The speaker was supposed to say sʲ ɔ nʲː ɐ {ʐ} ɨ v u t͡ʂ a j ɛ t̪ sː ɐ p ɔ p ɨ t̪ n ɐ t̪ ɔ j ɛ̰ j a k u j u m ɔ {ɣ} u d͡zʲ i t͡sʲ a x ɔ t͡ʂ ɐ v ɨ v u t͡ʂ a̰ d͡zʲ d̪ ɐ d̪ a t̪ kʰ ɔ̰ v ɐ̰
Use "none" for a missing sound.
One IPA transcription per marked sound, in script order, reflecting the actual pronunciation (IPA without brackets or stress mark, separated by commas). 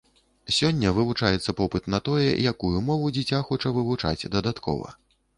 v, v